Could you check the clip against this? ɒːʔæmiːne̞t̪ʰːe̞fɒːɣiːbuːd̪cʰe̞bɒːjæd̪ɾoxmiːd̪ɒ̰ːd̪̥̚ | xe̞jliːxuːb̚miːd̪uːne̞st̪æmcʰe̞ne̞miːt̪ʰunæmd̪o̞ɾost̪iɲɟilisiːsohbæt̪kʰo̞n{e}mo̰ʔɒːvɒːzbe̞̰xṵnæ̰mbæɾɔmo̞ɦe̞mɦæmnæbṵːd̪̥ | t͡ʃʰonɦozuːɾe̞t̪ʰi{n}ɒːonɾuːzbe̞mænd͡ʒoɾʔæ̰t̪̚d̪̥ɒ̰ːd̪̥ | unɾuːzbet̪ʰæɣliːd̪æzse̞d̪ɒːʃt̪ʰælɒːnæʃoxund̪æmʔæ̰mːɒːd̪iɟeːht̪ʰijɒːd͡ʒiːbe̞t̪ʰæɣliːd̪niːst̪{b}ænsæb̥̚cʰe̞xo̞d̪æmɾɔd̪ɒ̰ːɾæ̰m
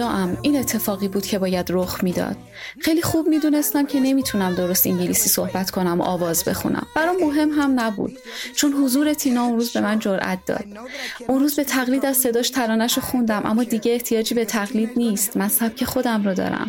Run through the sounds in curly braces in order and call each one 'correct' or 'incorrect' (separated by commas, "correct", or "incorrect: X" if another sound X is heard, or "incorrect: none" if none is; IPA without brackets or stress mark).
incorrect: æ, correct, incorrect: m